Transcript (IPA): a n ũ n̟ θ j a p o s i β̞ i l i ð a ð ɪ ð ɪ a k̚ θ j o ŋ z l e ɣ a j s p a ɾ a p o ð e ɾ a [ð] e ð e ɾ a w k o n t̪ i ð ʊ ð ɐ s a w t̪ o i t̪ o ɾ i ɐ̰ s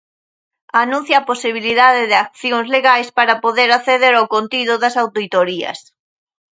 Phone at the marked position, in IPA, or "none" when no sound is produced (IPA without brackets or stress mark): θ